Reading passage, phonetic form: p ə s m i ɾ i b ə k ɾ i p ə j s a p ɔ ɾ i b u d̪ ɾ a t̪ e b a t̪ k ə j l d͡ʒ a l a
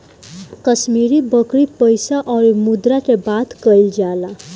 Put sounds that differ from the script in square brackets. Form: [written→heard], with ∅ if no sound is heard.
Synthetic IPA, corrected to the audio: [p→k] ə s m i ɾ i b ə k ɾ i p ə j s a [p→ʔ] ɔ ɾ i [b→m] u d̪ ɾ a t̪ e b a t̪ k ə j l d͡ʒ a l a